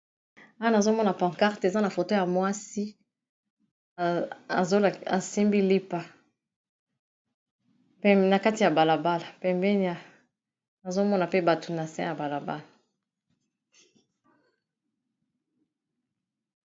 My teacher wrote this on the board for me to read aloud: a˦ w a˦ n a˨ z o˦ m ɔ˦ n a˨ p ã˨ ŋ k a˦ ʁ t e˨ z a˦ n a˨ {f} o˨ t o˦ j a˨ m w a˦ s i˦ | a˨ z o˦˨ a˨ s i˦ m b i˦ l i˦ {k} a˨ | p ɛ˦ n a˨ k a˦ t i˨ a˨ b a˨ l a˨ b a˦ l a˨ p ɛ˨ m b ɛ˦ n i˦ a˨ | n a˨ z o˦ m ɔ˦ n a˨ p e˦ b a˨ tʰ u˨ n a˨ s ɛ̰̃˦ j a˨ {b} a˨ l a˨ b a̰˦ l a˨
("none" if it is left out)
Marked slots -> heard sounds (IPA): f, p, b

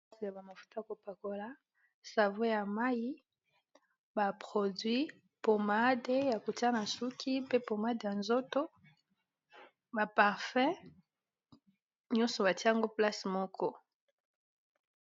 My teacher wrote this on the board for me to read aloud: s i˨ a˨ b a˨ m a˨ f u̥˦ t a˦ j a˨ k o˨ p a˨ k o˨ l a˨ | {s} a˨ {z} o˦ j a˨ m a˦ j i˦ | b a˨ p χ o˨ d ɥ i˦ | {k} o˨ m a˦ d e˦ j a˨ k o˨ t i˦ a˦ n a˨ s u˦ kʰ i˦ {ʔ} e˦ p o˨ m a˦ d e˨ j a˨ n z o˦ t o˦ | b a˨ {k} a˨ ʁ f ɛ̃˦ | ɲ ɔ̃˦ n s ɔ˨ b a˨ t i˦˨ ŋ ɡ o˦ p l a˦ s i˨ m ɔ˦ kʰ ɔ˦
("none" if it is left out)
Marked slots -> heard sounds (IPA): s, v, p, p, p

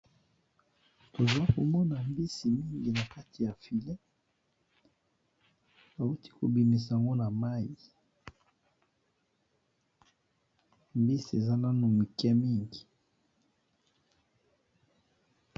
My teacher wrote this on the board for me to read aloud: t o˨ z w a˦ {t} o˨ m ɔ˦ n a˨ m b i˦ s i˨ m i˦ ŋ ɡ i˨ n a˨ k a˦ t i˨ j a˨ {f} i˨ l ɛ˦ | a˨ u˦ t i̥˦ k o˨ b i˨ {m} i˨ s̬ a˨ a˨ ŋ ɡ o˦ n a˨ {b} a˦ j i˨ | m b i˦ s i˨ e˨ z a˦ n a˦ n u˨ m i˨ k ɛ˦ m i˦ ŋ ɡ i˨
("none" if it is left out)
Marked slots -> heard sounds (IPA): k, f, m, m

